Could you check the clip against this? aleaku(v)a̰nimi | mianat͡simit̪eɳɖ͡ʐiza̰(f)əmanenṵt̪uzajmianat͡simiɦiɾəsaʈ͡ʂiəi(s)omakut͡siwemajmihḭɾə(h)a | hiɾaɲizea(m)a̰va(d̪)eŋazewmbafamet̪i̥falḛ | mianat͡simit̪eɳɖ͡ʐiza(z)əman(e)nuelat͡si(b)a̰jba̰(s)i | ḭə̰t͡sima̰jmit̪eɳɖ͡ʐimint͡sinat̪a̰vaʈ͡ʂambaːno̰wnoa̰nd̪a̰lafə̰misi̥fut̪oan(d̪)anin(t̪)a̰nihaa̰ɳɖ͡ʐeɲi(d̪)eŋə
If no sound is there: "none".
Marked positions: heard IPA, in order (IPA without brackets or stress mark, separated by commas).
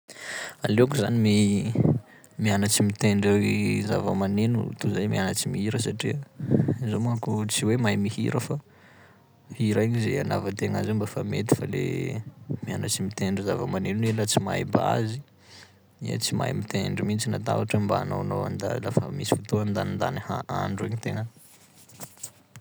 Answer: z, v, z, f, n, t̪, v, e, m, z, d̪, d̪, t̪